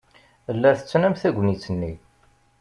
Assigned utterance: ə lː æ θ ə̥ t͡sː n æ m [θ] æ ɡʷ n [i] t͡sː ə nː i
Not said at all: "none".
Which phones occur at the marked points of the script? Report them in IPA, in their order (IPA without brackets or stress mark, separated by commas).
θ, i